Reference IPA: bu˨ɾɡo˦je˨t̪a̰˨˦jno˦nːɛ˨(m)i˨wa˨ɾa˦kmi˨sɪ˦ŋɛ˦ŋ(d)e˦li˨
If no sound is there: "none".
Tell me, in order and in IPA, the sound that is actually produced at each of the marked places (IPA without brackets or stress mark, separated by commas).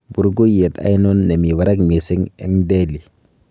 m, d